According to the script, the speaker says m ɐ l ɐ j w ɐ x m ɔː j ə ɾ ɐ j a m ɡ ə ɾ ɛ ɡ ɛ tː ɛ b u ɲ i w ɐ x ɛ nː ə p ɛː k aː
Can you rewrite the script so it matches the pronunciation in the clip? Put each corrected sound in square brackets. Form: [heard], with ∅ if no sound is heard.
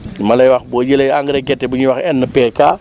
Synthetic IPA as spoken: m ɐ l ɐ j w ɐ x [b] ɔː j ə [l] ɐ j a [ŋ] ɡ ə ɾ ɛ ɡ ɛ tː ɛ b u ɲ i w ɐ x ɛ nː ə p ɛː k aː